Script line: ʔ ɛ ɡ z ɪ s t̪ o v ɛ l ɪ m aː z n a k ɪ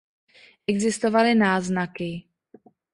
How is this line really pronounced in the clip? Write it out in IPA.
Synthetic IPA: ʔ ɛ ɡ z ɪ s t̪ o v a l ɪ n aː z n a k ɪ